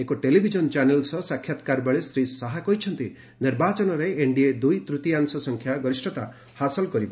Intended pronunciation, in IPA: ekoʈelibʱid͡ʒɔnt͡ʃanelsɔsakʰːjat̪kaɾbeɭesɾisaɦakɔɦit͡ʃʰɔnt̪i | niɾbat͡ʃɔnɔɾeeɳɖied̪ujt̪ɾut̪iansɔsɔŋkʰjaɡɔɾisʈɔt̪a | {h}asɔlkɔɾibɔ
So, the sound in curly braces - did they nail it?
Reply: yes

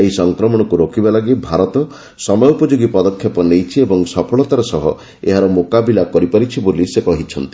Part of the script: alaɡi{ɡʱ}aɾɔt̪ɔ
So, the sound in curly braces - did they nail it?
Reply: no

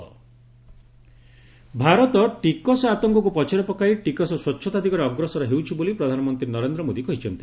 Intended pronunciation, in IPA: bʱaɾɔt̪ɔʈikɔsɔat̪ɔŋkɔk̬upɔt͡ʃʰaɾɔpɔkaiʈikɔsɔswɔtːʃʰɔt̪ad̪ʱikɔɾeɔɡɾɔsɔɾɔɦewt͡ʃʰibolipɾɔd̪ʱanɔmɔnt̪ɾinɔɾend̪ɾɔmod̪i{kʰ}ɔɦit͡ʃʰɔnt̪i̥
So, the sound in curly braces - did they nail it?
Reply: no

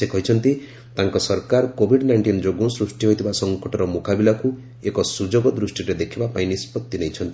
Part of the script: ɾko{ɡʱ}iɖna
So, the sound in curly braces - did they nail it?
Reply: no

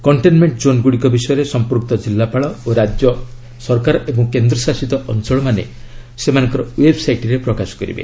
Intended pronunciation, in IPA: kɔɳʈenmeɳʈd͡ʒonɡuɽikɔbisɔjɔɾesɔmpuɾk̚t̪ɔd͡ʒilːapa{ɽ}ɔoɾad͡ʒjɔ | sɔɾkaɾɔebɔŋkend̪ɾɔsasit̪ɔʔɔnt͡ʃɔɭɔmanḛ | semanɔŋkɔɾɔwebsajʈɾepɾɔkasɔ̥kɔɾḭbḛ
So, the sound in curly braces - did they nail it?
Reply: no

